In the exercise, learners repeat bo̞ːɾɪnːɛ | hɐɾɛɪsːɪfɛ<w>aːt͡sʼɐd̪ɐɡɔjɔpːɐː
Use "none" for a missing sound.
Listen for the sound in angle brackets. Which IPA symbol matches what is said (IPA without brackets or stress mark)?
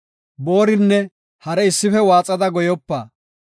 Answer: w